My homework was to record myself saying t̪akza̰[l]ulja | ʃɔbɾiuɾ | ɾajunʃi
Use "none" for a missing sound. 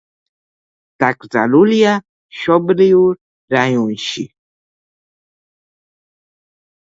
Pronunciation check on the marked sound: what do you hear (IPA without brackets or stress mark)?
l